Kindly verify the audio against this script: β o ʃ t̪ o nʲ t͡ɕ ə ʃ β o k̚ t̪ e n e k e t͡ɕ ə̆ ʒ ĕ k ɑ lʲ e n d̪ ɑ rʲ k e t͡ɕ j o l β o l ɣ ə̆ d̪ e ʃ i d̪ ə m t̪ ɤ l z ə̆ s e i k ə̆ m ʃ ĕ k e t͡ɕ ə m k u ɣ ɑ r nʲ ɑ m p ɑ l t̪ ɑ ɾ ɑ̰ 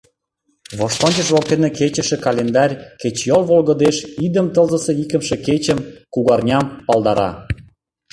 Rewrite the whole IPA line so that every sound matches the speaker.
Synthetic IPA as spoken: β o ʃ t̪ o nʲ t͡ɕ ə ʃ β o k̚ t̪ e n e k e t͡ɕ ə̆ ʃ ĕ k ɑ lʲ e n d̪ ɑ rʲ k e t͡ɕ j o l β o l ɣ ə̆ d̪ e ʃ i d̪ ə m t̪ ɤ l z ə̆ s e i k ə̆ m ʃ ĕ k e t͡ɕ ə m k u ɣ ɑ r nʲ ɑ m p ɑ l d̪ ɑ ɾ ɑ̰